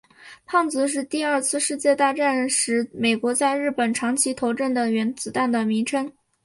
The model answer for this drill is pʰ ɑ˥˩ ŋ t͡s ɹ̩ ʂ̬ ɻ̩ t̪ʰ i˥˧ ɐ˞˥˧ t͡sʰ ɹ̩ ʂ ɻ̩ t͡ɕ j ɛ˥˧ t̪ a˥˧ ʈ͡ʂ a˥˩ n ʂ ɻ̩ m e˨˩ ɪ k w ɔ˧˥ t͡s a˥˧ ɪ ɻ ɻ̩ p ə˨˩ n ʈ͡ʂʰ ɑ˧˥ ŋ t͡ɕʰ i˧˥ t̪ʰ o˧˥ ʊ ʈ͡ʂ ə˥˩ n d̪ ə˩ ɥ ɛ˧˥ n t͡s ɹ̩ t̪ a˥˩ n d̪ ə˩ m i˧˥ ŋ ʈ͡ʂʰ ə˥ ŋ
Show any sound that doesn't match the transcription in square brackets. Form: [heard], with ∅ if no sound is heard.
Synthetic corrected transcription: pʰ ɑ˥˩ ŋ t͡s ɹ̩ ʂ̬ ɻ̩ [t̪] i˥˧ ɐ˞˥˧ t͡sʰ ɹ̩ ʂ ɻ̩ t͡ɕ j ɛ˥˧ t̪ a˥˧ ʈ͡ʂ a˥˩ n ʂ ɻ̩ m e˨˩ ɪ k w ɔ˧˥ t͡s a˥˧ ɪ ɻ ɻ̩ p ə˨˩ n ʈ͡ʂʰ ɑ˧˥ ŋ t͡ɕʰ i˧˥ t̪ʰ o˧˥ ʊ ʈ͡ʂ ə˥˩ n d̪ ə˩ ɥ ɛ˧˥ n t͡s ɹ̩ t̪ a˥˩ n d̪ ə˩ m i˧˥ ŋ ʈ͡ʂʰ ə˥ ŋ